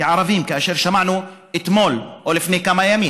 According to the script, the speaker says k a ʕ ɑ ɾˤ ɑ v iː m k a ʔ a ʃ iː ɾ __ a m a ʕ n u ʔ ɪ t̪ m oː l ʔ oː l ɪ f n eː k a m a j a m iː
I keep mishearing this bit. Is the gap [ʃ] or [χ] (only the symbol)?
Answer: ʃ